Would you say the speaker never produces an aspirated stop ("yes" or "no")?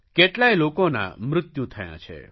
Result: no